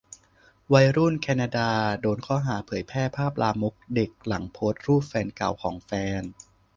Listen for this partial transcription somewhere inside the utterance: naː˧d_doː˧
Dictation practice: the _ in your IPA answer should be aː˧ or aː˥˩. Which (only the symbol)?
aː˧